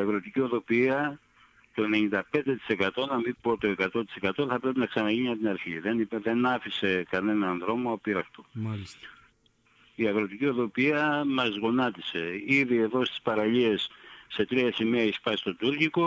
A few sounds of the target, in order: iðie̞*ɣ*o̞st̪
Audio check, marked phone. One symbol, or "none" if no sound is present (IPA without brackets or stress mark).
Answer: ð